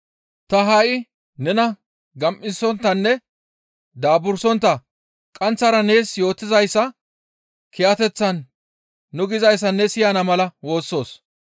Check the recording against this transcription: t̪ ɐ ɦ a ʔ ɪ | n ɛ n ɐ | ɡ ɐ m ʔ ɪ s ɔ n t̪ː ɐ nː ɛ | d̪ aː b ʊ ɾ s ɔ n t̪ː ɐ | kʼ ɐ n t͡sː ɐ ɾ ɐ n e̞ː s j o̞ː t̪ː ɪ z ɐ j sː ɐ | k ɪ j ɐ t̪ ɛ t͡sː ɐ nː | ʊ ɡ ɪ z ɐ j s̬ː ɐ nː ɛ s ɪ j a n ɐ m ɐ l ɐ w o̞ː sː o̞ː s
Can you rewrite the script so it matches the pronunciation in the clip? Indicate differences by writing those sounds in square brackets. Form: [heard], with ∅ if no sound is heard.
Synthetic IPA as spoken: t̪ ɐ ɦ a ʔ ɪ | n ɛ n ɐ | ɡ ɐ m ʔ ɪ s ɔ n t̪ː ɐ nː ɛ | d̪ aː b ʊ ɾ s ɔ n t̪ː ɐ | kʼ ɐ n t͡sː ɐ ɾ ɐ n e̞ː s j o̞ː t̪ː ɪ z ɐ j sː ɐ | k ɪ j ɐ t̪ ɛ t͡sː ɐ nː | ʊ ɡ ɪ z ɐ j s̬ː ɐ nː ɛ s ɪ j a n ɐ m ɐ l ɐ w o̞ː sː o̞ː s

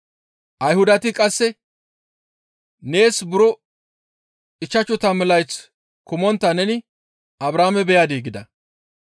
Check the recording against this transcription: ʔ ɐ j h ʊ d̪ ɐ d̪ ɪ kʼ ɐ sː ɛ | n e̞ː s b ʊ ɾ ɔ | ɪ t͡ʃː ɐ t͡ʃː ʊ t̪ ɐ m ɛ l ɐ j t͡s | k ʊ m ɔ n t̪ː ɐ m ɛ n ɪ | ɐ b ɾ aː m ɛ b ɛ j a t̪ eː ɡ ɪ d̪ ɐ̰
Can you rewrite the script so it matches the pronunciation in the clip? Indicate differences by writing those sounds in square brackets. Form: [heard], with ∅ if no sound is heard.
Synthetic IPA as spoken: ʔ ɐ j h ʊ d̪ ɐ [t̪] ɪ kʼ ɐ sː ɛ | n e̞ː s b ʊ ɾ ɔ | ɪ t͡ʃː ɐ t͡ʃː ʊ t̪ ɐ m ɛ l ɐ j t͡s | k ʊ m ɔ n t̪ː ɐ [n] ɛ n ɪ | ɐ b ɾ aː m ɛ b ɛ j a [d̪] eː ɡ ɪ d̪ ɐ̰

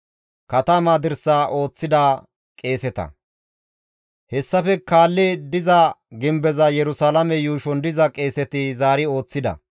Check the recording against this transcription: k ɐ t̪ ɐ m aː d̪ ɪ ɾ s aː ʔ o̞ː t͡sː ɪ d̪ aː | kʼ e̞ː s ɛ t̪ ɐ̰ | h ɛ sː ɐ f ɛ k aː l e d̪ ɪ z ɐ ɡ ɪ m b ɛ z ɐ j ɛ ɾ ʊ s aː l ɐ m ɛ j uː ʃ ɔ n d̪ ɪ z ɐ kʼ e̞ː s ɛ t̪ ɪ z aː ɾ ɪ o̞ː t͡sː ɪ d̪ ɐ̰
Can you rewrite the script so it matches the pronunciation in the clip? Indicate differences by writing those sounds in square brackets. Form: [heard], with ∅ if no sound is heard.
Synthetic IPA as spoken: k ɐ t̪ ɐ m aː d̪ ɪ ɾ s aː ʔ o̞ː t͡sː ɪ d̪ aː | kʼ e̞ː s ɛ t̪ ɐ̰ | h ɛ sː ɐ f ɛ k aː [lː] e d̪ ɪ z ɐ ɡ ɪ m b ɛ z ɐ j ɛ ɾ ʊ s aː l ɐ m ɛ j uː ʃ ɔ n d̪ ɪ z ɐ kʼ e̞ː s ɛ t̪ ɪ z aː ɾ ɪ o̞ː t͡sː ɪ d̪ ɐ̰

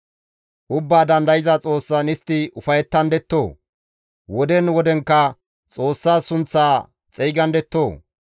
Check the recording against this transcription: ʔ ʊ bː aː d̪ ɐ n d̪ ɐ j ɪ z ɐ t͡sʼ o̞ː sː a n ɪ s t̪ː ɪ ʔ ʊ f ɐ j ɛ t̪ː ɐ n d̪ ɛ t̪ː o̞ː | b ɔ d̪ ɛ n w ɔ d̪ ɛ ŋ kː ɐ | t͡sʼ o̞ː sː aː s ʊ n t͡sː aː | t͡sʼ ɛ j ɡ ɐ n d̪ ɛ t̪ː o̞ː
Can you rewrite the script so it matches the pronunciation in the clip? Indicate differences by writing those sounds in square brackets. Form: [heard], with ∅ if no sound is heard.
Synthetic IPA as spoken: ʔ ʊ bː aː d̪ ɐ n d̪ ɐ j ɪ z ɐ t͡sʼ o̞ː sː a n ɪ s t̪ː ɪ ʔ ʊ f ɐ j ɛ t̪ː ɐ n d̪ ɛ t̪ː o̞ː | [w] ɔ d̪ ɛ n w ɔ d̪ ɛ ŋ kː ɐ | t͡sʼ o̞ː sː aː s ʊ n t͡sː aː | t͡sʼ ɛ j ɡ ɐ n d̪ ɛ t̪ː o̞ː

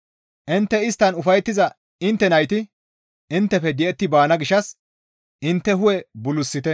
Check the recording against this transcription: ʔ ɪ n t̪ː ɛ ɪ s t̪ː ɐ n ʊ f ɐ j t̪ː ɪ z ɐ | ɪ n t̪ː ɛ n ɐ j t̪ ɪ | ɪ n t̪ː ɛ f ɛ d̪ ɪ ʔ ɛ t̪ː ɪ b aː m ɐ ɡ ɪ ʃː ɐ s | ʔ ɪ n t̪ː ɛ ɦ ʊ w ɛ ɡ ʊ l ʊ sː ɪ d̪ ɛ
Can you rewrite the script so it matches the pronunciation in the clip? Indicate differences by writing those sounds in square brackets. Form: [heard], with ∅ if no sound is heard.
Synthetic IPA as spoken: ʔ ɪ n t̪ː ɛ ɪ s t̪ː ɐ n ʊ f ɐ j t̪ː ɪ z ɐ | ɪ n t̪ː ɛ n ɐ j t̪ ɪ | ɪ n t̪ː ɛ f ɛ d̪ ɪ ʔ ɛ t̪ː ɪ b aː [n] ɐ ɡ ɪ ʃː ɐ s | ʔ ɪ n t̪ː ɛ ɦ ʊ w ɛ [b] ʊ l ʊ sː ɪ [t̪] ɛ

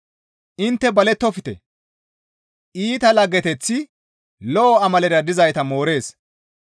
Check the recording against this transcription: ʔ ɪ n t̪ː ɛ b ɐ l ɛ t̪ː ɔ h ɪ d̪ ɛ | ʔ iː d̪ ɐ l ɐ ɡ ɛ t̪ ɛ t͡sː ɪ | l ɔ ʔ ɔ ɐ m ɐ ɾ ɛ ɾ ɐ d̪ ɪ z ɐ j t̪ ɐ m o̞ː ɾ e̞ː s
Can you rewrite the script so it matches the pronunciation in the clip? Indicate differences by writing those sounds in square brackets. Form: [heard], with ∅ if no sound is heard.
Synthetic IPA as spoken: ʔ ɪ n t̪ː ɛ b ɐ l ɛ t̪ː ɔ [f] ɪ [t̪] ɛ | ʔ iː [t̪] ɐ l ɐ ɡ ɛ t̪ ɛ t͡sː ɪ | l ɔ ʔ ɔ ɐ m ɐ [l] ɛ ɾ ɐ d̪ ɪ z ɐ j t̪ ɐ m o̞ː ɾ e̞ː s

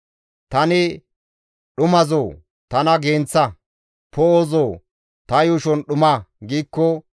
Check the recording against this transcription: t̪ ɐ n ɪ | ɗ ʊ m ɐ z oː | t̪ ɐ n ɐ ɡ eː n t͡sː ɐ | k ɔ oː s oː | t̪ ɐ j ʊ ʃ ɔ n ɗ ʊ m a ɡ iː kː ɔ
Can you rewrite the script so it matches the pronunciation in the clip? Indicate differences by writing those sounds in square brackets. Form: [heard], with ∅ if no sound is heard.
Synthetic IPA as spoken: t̪ ɐ n ɪ | ɗ ʊ m ɐ z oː | t̪ ɐ n ɐ ɡ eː n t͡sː ɐ | [p] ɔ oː [z] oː | t̪ ɐ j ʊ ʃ ɔ n ɗ ʊ m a ɡ iː kː ɔ

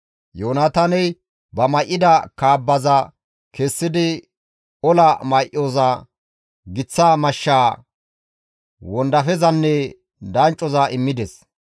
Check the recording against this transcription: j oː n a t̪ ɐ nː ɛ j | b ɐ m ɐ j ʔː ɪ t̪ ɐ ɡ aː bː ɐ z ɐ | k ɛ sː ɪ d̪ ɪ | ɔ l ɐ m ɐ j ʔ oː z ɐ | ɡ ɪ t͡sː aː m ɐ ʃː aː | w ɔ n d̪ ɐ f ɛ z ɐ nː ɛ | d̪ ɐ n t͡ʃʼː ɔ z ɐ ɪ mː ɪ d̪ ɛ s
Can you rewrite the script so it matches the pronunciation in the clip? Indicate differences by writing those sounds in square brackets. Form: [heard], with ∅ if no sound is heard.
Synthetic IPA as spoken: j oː n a t̪ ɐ [n] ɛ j | b ɐ m ɐ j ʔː ɪ [d̪] ɐ [k] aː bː ɐ z ɐ | k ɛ sː ɪ d̪ ɪ | ɔ l ɐ m ɐ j ʔ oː z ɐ | ɡ ɪ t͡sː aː m ɐ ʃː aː | w ɔ n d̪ ɐ f ɛ z ɐ nː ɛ | d̪ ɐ n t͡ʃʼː ɔ z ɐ ɪ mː ɪ d̪ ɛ s

